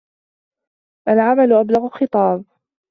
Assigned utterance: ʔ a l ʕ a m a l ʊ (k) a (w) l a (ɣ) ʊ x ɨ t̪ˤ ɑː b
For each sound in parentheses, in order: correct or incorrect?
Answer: incorrect, incorrect, correct

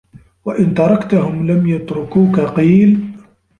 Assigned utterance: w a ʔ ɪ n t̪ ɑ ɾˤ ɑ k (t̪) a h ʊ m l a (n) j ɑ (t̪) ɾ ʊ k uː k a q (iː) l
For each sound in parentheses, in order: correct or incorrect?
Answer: correct, incorrect, correct, correct

